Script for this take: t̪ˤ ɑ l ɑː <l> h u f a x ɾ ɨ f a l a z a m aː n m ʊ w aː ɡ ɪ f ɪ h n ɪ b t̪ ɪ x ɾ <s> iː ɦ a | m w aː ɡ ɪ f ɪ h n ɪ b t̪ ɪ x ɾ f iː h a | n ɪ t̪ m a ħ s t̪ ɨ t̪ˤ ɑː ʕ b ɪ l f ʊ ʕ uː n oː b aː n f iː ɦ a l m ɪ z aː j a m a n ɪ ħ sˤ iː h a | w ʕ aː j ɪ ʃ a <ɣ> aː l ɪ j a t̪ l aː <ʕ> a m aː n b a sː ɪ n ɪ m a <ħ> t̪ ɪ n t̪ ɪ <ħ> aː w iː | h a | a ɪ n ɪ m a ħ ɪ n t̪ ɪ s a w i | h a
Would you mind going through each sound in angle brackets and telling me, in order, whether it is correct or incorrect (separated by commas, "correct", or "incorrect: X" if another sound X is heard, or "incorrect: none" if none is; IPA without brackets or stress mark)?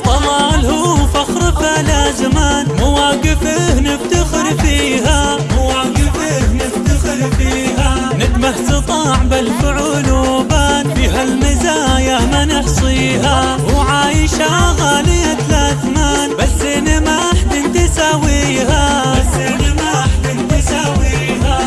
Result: correct, incorrect: f, correct, incorrect: z, correct, incorrect: s